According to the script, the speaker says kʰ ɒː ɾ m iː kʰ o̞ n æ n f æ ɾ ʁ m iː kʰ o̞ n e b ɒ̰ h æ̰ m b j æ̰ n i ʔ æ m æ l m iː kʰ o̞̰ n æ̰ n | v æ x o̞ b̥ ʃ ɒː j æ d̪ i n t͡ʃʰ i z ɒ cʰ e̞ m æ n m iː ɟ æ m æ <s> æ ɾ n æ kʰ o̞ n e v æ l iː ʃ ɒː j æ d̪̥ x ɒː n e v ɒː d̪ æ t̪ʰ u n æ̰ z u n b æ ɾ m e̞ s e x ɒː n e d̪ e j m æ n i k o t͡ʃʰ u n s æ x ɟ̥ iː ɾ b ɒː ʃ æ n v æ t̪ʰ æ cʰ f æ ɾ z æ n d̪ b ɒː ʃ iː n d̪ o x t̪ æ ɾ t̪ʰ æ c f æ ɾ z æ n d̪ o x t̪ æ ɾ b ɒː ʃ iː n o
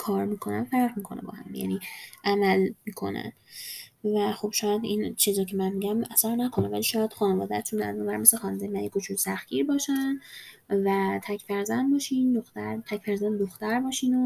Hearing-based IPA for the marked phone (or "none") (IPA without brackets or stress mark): s